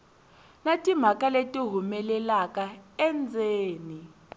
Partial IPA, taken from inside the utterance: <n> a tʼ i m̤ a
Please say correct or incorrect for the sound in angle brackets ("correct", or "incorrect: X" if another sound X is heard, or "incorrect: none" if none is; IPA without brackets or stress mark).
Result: correct